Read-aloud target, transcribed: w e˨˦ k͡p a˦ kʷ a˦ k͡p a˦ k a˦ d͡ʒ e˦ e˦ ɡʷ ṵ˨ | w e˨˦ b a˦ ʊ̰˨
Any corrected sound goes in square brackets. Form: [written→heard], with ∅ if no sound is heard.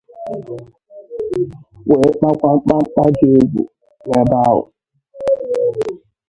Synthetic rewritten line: w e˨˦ k͡p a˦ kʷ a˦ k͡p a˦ [k→k͡p] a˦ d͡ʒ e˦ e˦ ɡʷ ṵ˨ | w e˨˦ b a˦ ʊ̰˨